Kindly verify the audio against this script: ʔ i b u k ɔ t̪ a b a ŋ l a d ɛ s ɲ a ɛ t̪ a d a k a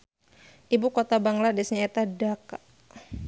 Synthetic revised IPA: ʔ i b u k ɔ t̪ a b a ŋ l a d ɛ s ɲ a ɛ t̪ a d a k a